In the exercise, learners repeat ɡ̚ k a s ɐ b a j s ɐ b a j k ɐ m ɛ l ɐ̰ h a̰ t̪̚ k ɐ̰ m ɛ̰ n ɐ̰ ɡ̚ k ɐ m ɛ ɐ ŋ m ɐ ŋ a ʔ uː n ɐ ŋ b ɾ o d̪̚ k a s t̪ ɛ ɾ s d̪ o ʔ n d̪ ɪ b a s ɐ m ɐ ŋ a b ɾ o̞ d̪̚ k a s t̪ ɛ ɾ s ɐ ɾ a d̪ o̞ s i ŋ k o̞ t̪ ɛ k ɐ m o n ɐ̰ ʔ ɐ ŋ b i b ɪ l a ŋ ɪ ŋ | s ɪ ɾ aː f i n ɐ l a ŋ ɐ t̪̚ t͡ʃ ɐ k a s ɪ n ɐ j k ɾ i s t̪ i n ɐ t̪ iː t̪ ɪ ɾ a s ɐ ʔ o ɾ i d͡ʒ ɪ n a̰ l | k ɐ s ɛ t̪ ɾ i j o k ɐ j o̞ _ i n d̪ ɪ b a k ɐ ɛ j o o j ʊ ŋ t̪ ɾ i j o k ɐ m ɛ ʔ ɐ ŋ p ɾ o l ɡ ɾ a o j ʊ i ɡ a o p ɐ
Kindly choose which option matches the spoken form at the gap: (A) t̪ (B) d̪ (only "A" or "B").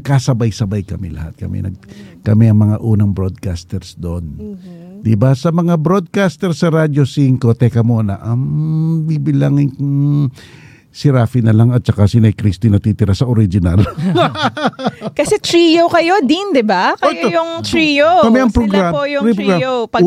B